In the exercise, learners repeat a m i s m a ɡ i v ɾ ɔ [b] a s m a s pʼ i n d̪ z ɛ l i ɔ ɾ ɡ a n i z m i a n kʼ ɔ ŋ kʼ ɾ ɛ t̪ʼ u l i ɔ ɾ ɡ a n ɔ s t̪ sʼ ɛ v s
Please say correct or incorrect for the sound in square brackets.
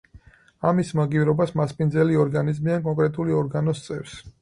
correct